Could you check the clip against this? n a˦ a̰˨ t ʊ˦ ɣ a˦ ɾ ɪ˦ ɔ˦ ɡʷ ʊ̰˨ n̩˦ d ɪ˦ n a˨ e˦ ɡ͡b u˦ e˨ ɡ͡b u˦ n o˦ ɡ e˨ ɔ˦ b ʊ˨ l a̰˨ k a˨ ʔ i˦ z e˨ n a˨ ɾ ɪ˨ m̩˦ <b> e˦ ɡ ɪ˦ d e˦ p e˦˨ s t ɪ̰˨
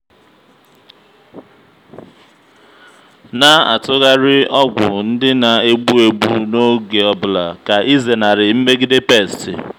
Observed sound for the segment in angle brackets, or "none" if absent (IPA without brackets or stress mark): m